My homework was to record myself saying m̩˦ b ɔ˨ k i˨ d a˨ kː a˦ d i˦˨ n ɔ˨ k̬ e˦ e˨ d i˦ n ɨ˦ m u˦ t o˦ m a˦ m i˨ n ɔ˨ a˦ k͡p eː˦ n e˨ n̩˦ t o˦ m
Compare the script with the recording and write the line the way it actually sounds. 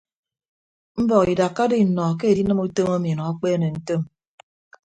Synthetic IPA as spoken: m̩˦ b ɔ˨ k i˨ d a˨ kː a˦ d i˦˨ n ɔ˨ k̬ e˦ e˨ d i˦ n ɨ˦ m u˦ t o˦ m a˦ m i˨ n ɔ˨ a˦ k͡p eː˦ n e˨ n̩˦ t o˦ m

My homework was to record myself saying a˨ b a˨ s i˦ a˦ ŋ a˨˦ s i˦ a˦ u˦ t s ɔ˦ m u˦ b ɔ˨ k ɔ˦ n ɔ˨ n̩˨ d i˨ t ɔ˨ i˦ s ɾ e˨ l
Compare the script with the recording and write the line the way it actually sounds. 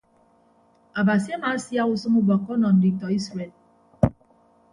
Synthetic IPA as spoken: a˨ b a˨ s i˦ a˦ m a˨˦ s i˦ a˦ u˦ s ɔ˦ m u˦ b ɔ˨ k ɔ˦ n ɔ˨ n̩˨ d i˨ t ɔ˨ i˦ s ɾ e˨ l

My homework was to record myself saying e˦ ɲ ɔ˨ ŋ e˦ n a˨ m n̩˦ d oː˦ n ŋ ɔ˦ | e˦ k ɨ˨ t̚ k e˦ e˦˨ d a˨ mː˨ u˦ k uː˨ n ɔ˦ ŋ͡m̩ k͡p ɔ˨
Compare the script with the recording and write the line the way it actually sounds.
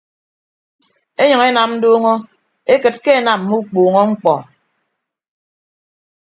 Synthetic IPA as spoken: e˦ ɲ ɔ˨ ŋ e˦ n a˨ m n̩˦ d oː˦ ŋ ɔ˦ | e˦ k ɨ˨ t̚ k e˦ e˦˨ n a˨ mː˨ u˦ k͡p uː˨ ŋ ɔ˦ ŋ͡m̩ k͡p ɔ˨

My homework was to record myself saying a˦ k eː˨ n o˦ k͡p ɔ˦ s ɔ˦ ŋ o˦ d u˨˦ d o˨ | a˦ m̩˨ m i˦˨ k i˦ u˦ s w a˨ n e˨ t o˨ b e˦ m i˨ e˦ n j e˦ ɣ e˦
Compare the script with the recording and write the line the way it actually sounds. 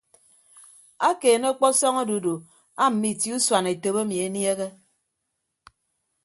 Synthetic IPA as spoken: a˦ k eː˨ n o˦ k͡p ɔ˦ s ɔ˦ ŋ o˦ d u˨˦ d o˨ | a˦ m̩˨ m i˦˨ t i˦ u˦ s w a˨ n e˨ t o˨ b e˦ m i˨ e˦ n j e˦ ɣ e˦

